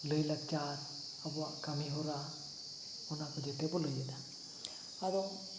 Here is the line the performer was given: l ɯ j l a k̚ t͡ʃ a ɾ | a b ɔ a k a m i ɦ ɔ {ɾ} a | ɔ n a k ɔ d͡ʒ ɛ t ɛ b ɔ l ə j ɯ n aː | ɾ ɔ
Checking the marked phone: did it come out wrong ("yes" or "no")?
no